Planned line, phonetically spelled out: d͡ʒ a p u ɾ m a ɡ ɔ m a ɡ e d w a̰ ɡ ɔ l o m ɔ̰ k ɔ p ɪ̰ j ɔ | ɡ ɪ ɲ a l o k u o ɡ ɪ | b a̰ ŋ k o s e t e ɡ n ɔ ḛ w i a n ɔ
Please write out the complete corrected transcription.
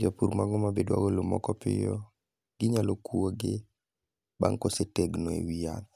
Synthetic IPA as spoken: d͡ʒ a p u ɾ m a ɡ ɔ m a b e d w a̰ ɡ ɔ l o m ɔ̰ k ɔ p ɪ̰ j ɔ | ɡ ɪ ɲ a l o k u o ɡ ɪ | b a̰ ŋ k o s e t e ɡ n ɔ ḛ w i a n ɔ